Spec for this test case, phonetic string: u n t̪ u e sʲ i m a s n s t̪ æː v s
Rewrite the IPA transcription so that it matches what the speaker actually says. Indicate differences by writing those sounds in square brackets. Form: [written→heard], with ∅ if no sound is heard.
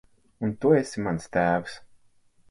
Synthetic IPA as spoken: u n t̪ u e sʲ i m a [s→∅] n s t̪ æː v s